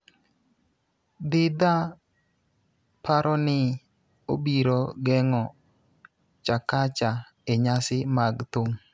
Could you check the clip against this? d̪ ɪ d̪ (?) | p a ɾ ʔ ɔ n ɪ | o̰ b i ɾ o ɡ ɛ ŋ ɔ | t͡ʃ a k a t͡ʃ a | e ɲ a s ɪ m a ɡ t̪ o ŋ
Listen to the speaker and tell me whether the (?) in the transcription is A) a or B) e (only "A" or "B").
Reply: A